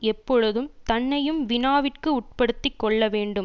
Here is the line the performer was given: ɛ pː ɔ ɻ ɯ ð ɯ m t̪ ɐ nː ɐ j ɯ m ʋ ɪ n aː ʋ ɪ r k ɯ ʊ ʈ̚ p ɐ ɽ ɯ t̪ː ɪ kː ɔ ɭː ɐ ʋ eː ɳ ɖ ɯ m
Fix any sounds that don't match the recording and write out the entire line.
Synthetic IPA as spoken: ɛ pː ɔ ɻ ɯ ð ɯ m t̪ ɐ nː ɐ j ɯ m ʋ ɪ n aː ʋ ɪ r k ɯ ʊ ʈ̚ p ɐ ɽ ɯ t̪ː ɪ kː ɔ ɭː ɐ ʋ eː ɳ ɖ ɯ m